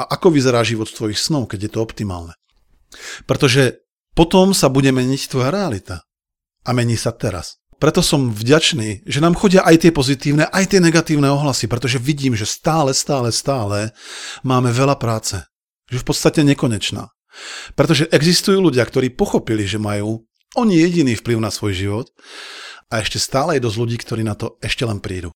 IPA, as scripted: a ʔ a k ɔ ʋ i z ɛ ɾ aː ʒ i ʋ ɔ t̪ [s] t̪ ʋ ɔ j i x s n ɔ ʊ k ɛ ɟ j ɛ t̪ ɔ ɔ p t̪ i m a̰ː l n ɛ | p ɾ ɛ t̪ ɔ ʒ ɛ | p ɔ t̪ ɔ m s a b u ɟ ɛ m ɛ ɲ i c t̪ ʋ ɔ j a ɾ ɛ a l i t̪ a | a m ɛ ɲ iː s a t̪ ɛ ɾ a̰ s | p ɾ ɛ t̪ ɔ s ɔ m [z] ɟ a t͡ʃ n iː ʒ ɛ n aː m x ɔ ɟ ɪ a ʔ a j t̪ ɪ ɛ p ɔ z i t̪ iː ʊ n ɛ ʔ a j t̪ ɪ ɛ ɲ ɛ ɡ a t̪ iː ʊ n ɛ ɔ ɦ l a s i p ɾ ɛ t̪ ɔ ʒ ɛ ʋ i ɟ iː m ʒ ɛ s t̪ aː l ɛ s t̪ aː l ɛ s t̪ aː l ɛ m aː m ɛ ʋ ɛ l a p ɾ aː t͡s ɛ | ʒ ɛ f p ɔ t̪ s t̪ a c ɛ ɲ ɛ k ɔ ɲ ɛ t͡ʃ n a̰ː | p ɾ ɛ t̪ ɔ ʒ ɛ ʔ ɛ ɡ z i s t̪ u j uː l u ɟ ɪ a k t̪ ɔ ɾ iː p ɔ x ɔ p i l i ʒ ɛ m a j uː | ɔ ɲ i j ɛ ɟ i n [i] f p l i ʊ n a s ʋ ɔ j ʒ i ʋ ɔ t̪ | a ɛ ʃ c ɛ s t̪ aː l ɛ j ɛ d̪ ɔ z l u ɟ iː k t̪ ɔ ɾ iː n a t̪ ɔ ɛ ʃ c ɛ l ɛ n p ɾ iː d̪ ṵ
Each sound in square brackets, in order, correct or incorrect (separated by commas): correct, incorrect, incorrect